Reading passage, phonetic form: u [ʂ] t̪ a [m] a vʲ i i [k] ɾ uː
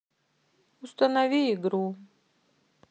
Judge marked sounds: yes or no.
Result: no, no, no

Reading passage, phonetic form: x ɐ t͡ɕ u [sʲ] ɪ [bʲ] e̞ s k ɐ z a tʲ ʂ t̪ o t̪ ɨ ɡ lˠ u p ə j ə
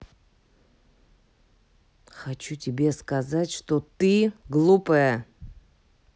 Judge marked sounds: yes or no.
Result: no, yes

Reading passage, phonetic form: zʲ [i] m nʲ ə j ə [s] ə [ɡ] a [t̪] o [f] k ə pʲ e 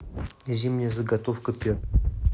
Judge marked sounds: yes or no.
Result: yes, no, yes, yes, yes

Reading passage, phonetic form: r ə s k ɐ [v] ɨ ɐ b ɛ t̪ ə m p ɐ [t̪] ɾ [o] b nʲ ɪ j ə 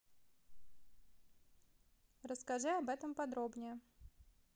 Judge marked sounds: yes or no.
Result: no, no, yes

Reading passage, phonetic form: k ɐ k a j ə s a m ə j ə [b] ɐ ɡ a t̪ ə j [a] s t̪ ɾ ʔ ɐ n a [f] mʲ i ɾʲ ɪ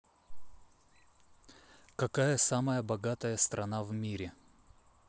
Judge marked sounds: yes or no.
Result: yes, no, no

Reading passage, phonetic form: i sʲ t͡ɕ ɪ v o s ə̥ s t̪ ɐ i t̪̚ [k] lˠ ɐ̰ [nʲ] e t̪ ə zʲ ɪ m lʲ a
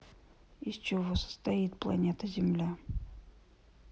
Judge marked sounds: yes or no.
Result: no, yes

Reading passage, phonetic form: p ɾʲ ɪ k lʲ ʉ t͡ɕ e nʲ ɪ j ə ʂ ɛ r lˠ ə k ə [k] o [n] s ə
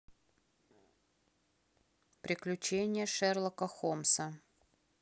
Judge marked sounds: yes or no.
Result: no, no

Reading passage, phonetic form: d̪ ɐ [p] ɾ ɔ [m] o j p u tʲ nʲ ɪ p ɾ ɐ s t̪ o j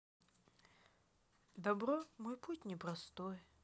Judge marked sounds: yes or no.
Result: no, yes

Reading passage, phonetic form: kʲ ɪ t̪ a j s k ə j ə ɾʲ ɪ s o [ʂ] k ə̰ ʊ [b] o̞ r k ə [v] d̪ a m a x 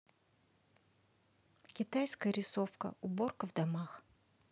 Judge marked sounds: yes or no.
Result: no, yes, yes

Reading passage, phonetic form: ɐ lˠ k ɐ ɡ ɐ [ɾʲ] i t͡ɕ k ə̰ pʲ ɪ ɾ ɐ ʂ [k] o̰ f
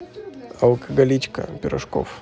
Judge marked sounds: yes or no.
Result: no, yes

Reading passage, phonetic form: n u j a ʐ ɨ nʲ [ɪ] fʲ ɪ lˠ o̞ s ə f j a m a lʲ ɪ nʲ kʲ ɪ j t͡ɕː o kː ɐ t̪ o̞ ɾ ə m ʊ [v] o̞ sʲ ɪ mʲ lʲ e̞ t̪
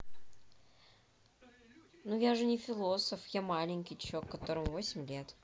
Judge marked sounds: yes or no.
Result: yes, yes

